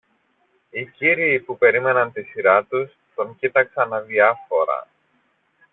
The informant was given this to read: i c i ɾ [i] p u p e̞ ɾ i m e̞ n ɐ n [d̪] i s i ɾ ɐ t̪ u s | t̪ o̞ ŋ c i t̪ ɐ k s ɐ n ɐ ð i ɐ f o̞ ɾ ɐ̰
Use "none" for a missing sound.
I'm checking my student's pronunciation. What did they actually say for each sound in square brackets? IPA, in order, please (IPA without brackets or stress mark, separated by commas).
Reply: iː, t̪